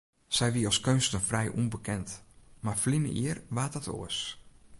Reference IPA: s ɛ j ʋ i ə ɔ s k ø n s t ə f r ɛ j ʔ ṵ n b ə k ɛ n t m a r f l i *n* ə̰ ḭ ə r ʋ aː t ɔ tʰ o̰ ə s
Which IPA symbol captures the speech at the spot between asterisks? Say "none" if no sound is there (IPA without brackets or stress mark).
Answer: n